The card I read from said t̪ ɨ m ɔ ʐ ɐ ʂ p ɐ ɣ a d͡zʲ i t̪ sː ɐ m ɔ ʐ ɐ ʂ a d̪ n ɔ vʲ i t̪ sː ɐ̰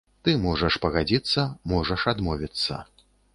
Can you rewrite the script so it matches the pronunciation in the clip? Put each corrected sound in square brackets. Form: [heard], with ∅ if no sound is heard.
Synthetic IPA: t̪ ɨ m ɔ ʐ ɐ ʂ p ɐ ɣ a d͡zʲ i t̪ sː ɐ m ɔ ʐ ɐ ʂ a d̪ [m] ɔ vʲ i t̪ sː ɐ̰